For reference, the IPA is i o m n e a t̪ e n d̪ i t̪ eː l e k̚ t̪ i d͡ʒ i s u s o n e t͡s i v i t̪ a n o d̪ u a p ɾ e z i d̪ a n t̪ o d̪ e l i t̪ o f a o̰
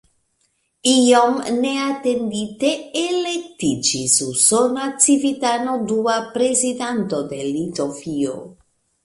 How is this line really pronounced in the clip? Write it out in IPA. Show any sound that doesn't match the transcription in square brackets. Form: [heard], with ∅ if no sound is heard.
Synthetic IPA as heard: i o m n e a t̪ e n d̪ i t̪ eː l e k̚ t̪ i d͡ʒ i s u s o n [a] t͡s i v i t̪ a n o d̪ u a p ɾ e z i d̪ a n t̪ o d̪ e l i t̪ o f [i] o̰